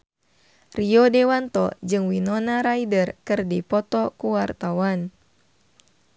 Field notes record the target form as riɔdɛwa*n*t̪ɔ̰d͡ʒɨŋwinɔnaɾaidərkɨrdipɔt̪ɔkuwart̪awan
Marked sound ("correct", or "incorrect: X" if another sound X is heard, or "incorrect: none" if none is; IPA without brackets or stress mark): correct